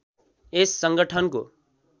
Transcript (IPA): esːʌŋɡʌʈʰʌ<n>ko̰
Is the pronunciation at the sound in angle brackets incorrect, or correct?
correct